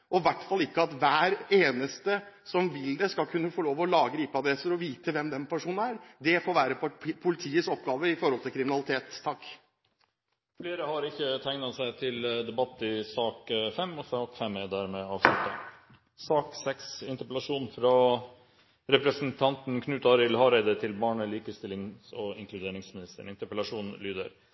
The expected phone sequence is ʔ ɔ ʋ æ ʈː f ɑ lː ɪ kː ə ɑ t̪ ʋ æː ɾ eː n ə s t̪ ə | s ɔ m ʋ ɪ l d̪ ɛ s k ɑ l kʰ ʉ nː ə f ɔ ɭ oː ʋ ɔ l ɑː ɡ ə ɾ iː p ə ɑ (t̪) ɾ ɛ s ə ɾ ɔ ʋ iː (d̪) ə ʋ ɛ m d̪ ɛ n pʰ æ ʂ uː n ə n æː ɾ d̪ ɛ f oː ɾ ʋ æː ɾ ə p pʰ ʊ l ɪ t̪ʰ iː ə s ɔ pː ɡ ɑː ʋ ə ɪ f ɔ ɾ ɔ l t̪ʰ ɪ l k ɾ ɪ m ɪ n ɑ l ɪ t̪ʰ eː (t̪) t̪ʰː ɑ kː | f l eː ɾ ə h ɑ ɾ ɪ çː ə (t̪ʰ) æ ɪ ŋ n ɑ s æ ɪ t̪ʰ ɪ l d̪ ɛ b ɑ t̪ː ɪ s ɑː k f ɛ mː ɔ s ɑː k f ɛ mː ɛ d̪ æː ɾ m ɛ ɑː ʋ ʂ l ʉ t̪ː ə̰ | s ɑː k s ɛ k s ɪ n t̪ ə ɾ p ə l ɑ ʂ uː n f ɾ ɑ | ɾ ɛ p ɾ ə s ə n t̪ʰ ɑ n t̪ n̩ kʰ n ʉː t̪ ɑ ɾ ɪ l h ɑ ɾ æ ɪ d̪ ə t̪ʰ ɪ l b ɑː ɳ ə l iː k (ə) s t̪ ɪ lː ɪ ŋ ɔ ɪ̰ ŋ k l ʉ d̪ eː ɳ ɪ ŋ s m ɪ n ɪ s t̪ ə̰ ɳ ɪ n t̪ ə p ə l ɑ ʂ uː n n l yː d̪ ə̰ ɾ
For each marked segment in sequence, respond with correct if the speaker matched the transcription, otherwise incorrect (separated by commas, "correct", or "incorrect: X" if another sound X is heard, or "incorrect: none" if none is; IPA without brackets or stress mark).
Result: incorrect: d̪, incorrect: t̪, correct, correct, correct